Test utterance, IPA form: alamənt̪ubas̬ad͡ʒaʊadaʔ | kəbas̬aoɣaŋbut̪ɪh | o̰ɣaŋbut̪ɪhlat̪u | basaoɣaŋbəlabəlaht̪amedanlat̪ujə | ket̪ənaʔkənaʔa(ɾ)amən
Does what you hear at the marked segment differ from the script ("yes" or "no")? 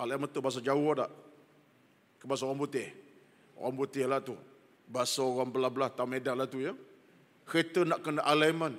yes